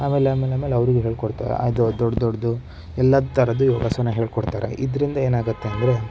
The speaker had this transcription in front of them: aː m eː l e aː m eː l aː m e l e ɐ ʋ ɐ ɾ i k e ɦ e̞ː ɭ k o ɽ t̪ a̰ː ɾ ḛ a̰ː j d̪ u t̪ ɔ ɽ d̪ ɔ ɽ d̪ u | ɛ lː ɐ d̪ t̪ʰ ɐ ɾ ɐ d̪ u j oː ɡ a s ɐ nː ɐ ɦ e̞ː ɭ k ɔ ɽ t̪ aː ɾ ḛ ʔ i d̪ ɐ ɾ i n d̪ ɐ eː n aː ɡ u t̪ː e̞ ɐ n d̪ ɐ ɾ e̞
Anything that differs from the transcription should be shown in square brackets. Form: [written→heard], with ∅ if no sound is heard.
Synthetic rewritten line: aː m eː l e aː m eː l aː m e l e ɐ ʋ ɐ ɾ i [k→ɡ] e ɦ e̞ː ɭ k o ɽ t̪ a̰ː ɾ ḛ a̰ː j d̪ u [t̪→d̪] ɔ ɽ d̪ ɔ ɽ d̪ u | ɛ lː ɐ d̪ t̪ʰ ɐ ɾ ɐ d̪ u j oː ɡ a s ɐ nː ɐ ɦ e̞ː ɭ k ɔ ɽ t̪ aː ɾ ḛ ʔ i d̪ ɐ ɾ i n d̪ ɐ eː n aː ɡ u t̪ː e̞ ɐ n d̪ ɐ ɾ e̞